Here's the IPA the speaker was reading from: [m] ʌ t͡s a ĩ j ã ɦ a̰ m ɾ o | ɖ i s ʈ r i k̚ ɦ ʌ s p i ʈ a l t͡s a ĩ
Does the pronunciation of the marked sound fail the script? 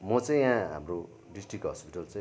no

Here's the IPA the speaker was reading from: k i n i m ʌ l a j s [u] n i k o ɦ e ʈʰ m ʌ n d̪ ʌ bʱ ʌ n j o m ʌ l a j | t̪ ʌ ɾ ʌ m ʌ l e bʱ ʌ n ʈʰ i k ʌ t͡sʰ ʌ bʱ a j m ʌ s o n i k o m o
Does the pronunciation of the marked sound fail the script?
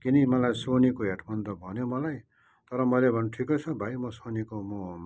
yes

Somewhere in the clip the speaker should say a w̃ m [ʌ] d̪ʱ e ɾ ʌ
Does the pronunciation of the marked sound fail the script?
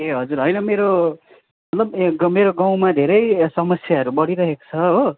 yes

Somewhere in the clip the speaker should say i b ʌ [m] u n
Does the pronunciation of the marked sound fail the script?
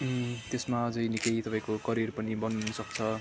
yes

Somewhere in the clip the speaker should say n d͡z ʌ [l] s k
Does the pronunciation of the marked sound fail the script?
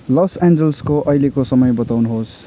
no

